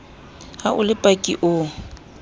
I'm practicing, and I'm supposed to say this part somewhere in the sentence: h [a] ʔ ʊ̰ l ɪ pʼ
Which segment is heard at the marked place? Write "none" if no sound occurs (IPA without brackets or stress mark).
a